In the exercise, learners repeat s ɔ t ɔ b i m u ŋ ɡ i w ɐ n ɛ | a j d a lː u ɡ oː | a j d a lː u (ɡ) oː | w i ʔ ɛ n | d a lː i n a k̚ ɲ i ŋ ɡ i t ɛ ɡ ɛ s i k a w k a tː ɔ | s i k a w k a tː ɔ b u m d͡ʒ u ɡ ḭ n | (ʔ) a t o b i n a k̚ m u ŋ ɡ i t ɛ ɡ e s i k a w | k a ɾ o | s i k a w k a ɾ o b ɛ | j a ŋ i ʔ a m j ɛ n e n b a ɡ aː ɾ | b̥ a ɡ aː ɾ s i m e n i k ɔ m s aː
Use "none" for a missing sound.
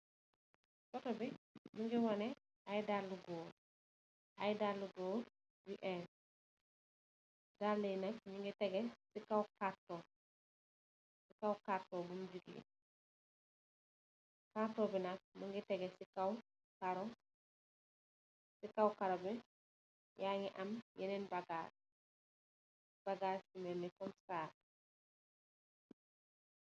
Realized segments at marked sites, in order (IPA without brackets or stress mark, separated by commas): ɡ, k